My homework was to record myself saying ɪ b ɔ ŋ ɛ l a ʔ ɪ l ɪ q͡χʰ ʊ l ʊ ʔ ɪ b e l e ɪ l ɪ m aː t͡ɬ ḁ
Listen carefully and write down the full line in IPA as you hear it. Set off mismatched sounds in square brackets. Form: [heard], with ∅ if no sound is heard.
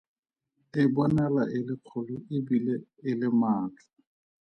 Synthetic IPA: ɪ b ɔ [n] ɛ l a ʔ ɪ l ɪ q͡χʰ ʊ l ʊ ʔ ɪ b [i] l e ɪ l ɪ m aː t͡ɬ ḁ

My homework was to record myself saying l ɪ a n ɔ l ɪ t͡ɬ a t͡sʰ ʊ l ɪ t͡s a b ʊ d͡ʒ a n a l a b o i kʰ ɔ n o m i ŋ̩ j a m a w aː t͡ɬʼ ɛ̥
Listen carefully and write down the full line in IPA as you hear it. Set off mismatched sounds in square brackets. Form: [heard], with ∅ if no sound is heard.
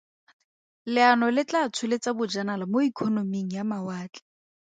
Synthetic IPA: l ɪ a n ɔ l ɪ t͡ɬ a t͡sʰ ʊ l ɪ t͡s a b ʊ d͡ʒ a n a l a [m] o i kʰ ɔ n o m i ŋ̩ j a m a w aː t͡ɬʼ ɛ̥

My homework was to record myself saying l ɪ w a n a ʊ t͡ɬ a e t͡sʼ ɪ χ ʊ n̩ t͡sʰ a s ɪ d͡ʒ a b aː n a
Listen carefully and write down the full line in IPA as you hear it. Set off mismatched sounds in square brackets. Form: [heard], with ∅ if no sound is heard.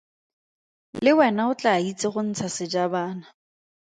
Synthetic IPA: l ɪ w [ɛ] n a ʊ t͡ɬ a [i] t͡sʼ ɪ χ ʊ n̩ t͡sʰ a s ɪ d͡ʒ a b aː n a

